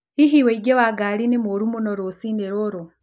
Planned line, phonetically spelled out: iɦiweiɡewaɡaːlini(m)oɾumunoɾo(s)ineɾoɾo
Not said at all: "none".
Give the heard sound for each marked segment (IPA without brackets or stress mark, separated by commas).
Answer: m, s